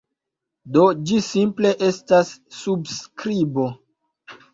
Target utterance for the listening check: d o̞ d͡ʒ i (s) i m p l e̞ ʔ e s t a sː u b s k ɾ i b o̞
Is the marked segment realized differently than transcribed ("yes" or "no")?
no